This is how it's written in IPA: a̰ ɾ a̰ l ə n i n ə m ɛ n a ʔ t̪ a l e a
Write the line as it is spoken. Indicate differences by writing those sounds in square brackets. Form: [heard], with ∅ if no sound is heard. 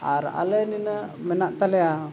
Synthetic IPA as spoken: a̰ ɾ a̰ l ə n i n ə m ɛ n a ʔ t̪ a l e a